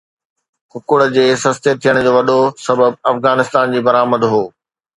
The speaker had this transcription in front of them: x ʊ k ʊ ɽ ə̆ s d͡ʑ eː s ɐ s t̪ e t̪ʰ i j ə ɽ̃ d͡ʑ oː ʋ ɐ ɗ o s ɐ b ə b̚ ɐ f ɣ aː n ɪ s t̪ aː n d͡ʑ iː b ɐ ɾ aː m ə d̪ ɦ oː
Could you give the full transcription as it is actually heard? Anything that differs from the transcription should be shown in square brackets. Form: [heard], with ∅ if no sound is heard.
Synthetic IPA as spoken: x ʊ k ʊ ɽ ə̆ [∅] d͡ʑ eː s ɐ s t̪ e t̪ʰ i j ə ɽ̃ d͡ʑ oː ʋ ɐ ɗ o s ɐ b ə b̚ ɐ f ɣ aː n ɪ s t̪ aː n d͡ʑ iː b ɐ ɾ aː m ə d̪ ɦ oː